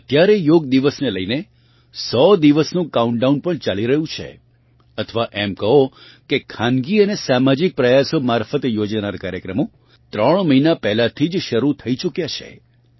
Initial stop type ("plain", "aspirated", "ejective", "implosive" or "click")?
plain